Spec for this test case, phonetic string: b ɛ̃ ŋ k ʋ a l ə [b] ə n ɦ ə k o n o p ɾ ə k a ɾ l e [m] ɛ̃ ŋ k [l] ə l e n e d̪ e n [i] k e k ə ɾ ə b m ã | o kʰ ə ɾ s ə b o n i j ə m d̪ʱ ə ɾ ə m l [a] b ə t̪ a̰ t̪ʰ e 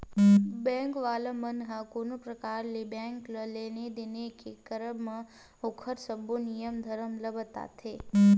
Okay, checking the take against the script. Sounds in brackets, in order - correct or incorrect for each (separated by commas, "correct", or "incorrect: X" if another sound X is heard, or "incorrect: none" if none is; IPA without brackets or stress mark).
incorrect: m, incorrect: b, correct, incorrect: e, incorrect: ə